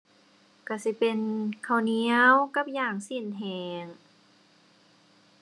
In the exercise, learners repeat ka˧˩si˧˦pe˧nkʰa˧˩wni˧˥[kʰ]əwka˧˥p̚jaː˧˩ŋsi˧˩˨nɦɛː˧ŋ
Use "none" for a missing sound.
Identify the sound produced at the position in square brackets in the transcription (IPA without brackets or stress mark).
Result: none